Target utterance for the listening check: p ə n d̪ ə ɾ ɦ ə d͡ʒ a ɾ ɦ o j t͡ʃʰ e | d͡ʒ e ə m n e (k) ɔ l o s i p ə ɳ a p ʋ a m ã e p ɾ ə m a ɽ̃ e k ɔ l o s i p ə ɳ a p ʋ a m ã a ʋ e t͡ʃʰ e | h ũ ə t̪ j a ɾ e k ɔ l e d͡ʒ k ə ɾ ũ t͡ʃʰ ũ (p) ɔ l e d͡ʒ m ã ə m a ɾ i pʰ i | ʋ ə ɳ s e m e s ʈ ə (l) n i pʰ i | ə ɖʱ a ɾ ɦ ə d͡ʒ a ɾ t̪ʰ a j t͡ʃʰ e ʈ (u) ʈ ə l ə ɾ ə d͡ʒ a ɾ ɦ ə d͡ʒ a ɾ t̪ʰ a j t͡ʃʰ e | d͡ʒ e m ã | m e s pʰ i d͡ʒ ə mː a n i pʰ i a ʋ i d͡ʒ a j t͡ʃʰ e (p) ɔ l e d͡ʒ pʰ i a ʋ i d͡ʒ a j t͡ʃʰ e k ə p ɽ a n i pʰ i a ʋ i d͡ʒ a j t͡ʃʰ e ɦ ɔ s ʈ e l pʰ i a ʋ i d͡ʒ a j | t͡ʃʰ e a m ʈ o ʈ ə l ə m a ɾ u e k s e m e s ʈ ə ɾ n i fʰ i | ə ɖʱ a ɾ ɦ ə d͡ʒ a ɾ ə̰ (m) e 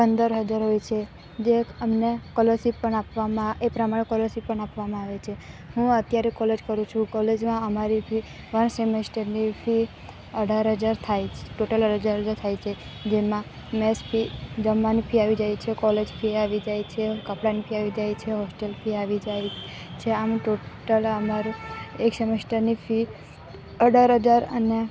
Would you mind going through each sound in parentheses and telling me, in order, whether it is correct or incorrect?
correct, incorrect: k, incorrect: ɾ, incorrect: o, incorrect: k, incorrect: n

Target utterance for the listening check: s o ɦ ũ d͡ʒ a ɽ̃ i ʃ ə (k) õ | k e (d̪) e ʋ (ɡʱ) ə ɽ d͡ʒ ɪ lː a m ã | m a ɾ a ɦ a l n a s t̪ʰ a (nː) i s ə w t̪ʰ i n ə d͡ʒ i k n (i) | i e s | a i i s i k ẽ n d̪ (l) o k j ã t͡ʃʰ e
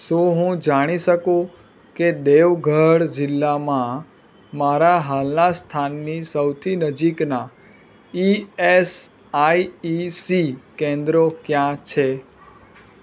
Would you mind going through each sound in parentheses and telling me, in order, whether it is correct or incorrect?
correct, correct, correct, correct, incorrect: a, incorrect: ɾ

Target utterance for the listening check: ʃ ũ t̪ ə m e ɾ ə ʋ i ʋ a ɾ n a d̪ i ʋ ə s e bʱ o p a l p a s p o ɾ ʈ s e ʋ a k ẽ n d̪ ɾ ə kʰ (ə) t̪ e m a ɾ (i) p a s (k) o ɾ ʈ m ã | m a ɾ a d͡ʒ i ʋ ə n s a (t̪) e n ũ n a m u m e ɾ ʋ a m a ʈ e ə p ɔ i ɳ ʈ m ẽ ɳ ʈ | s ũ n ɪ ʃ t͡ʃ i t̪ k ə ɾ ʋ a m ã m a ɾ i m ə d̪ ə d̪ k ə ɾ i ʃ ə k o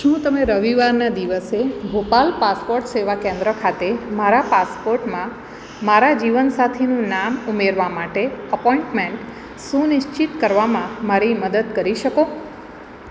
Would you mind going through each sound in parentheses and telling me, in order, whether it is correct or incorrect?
incorrect: a, incorrect: a, incorrect: p, incorrect: t̪ʰ

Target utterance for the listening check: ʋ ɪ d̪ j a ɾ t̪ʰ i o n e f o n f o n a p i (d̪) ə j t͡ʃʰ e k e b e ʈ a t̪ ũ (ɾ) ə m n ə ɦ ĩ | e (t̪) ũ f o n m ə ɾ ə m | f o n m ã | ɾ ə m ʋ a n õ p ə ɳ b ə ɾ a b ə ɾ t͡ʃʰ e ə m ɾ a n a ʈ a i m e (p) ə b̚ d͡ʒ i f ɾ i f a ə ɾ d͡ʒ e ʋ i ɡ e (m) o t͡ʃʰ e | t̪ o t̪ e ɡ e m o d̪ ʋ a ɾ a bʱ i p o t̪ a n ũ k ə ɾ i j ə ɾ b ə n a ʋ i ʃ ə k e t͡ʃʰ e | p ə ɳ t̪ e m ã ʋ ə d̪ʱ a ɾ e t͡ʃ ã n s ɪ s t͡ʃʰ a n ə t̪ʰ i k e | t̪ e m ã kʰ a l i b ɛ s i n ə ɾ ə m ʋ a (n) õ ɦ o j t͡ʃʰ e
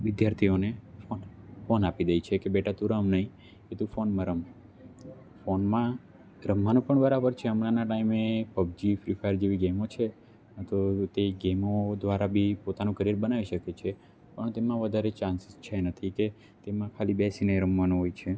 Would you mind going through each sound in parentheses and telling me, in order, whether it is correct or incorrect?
correct, correct, correct, correct, correct, correct

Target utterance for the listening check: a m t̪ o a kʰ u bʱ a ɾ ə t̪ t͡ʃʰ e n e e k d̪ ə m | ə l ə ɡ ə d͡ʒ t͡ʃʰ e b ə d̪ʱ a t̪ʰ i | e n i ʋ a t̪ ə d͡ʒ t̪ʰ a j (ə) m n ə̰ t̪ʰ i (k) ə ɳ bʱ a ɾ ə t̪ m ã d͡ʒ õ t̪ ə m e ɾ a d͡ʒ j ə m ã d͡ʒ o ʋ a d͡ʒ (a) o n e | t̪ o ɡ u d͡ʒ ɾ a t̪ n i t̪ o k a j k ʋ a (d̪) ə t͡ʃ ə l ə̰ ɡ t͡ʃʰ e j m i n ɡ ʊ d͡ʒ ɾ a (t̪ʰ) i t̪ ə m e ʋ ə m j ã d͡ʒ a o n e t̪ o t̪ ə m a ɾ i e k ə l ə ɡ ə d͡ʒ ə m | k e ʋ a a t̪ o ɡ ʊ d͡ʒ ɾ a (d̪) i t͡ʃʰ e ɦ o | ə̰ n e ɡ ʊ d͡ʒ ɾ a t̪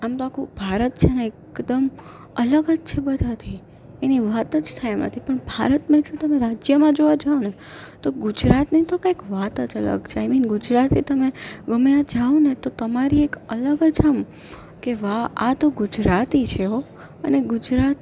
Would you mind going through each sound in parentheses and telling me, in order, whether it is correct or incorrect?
incorrect: a, incorrect: p, correct, incorrect: t̪, incorrect: t̪, incorrect: t̪

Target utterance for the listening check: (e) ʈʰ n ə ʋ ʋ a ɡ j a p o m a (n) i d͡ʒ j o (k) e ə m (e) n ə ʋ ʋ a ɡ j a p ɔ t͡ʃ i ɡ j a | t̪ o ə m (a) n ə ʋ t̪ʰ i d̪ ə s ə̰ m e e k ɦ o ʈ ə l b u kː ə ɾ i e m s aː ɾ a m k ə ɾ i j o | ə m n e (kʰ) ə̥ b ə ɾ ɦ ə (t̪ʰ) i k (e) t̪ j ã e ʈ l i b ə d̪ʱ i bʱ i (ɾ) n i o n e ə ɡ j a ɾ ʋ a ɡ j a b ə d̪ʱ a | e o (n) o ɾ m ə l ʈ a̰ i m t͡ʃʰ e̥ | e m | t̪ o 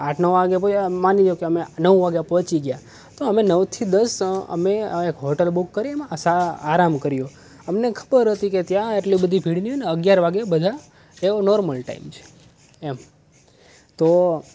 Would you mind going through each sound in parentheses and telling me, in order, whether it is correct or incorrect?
incorrect: a, correct, correct, correct, incorrect: e, correct, incorrect: t̪, correct, incorrect: ɽ, correct

